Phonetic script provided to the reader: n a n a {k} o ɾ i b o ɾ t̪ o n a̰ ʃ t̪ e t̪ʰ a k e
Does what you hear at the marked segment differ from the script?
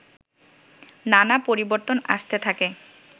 yes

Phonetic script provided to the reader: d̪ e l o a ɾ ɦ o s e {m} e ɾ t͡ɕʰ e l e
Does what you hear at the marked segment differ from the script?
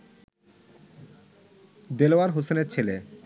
yes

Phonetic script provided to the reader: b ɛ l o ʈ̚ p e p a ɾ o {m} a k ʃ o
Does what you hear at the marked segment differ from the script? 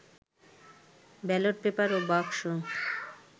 yes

